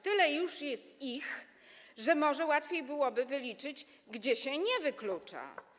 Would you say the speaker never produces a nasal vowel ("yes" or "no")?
yes